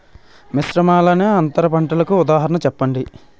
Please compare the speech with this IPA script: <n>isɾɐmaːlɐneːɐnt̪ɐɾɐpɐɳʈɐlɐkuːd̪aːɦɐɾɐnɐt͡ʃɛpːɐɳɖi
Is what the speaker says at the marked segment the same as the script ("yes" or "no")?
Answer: no